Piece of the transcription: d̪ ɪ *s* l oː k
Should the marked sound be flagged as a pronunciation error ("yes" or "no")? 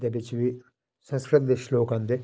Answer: yes